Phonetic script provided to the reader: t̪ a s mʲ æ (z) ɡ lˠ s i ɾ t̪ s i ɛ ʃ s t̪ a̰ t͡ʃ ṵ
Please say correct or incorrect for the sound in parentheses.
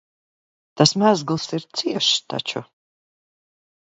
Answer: correct